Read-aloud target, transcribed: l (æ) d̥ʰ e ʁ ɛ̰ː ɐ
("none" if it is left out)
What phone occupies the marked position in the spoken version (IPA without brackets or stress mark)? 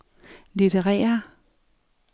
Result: i